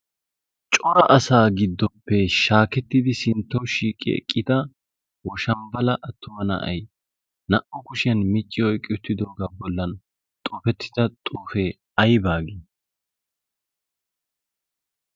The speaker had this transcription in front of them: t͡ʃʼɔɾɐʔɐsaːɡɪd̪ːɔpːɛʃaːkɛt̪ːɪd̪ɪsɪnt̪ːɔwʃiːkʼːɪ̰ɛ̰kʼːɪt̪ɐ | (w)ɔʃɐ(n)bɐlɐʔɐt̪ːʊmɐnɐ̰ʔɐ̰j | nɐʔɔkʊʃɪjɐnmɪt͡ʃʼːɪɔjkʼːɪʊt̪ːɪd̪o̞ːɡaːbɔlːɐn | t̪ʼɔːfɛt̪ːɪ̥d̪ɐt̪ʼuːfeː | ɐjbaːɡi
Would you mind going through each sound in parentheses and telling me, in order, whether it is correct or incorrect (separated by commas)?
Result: correct, incorrect